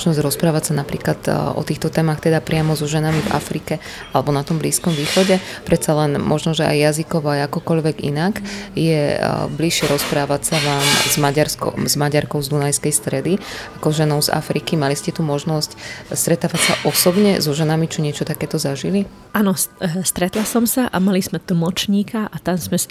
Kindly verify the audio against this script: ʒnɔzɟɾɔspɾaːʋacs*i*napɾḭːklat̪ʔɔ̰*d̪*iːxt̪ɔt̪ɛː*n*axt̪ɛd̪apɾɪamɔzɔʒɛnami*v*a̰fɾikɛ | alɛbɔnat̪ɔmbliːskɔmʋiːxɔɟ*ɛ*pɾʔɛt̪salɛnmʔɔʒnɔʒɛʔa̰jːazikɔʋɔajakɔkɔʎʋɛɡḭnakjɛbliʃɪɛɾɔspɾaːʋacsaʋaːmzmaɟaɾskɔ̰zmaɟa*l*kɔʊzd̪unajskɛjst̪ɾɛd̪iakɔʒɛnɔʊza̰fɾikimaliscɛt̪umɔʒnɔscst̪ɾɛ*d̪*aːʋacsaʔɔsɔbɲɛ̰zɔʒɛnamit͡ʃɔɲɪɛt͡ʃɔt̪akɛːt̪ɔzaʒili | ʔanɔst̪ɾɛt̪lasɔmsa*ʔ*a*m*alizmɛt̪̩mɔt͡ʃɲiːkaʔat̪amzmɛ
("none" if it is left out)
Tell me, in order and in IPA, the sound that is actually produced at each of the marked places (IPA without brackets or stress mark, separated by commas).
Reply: a, t̪, m, v, ɛ, ɾ, t̪, ʔ, m